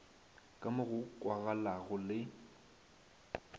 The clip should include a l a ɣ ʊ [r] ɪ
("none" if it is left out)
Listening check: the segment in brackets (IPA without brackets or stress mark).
l